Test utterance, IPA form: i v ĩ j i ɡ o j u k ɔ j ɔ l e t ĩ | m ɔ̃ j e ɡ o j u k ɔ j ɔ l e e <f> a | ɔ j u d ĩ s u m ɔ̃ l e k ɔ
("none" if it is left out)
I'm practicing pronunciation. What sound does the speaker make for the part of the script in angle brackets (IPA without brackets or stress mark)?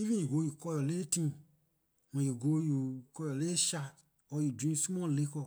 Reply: ʃ